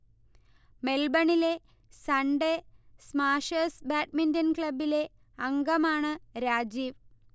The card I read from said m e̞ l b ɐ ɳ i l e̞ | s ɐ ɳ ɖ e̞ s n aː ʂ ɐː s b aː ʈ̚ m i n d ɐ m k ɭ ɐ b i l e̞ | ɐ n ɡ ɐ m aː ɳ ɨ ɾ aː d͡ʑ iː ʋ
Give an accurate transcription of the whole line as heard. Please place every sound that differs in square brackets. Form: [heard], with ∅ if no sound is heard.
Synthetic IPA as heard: m e̞ l b ɐ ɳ i l e̞ | s ɐ ɳ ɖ e̞ s [m] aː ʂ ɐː s b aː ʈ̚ m i n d ɐ [n] k ɭ ɐ b i l e̞ | ɐ [ŋ] ɡ ɐ m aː ɳ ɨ ɾ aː d͡ʑ iː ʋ